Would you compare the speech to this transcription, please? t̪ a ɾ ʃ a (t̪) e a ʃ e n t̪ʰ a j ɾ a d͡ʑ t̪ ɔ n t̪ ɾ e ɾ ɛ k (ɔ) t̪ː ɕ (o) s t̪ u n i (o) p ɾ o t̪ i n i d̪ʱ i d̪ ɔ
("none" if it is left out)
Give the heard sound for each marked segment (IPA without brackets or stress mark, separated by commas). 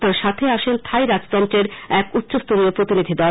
t̪ʰ, u, o, o